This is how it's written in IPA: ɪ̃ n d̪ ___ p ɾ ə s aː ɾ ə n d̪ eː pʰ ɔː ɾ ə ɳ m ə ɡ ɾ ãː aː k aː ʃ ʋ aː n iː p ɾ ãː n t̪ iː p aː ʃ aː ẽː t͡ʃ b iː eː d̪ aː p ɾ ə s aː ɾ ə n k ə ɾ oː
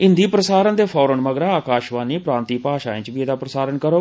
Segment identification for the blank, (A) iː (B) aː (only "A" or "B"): A